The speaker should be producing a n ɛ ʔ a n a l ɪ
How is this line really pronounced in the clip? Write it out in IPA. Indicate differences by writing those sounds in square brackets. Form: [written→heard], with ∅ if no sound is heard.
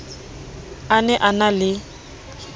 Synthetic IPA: a n ɛ ʔ a n a l ɪ